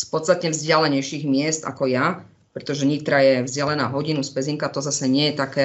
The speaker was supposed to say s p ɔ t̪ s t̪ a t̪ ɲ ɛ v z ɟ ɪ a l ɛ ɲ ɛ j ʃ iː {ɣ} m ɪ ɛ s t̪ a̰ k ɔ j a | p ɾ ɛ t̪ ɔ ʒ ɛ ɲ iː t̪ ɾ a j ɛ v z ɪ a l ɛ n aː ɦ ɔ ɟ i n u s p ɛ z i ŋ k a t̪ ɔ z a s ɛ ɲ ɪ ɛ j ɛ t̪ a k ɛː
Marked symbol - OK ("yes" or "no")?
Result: yes